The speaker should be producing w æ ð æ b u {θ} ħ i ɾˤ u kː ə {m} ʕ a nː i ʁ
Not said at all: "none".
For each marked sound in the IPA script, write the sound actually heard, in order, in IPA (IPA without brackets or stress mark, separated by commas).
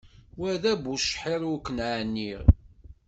ʃ, n